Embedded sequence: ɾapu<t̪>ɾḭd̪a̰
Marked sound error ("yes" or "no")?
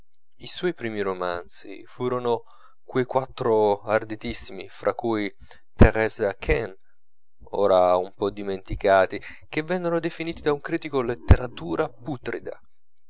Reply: no